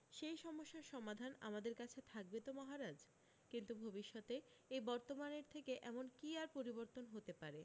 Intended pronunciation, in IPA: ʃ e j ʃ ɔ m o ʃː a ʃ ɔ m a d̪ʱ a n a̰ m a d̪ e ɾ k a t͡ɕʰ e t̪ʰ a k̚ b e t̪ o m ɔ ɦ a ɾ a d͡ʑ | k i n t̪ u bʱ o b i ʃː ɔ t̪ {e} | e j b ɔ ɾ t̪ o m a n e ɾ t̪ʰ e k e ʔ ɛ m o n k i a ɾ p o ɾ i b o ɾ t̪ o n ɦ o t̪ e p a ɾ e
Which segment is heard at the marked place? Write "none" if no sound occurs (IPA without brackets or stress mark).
e